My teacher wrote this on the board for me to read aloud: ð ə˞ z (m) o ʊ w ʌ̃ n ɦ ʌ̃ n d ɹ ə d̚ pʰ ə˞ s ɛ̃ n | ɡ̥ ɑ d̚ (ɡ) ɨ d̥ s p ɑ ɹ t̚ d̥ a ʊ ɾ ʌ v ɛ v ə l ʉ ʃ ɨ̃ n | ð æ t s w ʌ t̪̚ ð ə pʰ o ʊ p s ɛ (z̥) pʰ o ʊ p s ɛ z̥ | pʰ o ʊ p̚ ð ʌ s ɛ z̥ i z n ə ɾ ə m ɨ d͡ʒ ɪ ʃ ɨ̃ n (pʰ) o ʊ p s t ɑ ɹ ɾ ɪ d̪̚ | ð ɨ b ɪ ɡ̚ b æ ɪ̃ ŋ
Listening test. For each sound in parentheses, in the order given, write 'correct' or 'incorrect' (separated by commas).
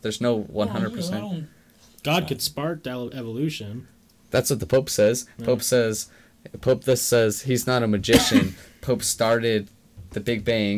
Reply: incorrect, incorrect, correct, correct